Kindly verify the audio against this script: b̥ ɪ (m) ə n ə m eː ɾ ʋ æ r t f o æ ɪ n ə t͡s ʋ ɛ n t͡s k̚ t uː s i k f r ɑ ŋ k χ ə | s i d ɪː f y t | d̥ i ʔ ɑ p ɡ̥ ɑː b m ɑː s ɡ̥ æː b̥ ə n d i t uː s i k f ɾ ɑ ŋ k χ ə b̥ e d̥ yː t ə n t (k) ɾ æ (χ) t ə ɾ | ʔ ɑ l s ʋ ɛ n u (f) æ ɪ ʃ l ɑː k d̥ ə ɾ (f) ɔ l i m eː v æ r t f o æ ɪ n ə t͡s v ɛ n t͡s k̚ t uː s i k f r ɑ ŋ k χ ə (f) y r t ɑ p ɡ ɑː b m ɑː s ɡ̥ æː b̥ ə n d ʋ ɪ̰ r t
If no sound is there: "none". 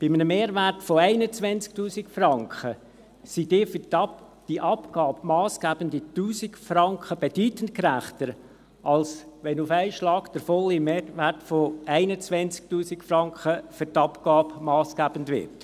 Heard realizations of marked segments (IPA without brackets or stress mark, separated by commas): m, k, χ, f, f, f